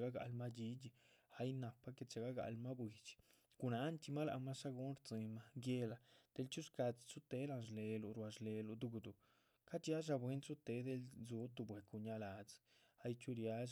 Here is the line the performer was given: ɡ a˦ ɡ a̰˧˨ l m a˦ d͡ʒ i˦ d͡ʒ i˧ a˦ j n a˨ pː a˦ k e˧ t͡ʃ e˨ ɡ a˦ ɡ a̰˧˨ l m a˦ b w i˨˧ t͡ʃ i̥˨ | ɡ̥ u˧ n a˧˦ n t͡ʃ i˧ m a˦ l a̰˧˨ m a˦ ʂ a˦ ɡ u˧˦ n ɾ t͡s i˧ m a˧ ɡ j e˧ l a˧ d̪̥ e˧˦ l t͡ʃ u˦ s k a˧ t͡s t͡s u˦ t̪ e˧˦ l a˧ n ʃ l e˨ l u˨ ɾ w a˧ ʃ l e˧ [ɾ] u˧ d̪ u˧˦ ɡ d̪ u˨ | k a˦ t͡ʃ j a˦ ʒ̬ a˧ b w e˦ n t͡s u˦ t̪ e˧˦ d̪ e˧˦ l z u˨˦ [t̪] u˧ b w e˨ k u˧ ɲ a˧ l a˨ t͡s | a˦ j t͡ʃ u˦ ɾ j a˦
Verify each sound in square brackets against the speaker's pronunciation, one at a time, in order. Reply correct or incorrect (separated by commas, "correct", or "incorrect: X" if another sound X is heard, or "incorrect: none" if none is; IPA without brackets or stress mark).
incorrect: l, correct